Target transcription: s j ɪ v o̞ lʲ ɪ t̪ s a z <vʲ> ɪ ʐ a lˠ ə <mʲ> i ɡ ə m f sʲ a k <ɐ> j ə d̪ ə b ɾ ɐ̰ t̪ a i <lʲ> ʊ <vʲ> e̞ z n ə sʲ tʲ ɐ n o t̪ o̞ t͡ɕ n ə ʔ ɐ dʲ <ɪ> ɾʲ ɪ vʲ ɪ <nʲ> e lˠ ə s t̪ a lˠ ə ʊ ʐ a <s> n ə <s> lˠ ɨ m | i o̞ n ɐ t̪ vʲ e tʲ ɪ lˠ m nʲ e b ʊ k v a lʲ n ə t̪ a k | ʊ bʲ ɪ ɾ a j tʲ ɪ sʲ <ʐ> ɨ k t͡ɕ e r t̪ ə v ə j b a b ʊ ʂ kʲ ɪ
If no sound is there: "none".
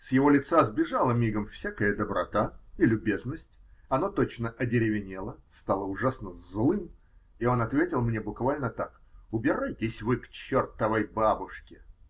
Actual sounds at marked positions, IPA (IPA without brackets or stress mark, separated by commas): bʲ, mʲ, ə, lʲ, bʲ, ɪ, nʲ, s, z, v